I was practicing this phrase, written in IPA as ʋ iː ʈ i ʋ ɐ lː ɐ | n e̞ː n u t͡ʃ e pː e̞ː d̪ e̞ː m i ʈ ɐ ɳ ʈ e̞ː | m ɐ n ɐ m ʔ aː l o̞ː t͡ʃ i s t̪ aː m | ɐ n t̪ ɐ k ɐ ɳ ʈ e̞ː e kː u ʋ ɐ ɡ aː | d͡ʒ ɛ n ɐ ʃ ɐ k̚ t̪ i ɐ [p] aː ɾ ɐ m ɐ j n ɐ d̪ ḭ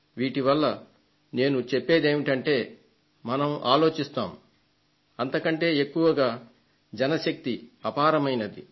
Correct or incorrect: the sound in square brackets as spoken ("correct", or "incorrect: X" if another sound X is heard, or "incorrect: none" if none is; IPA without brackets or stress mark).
correct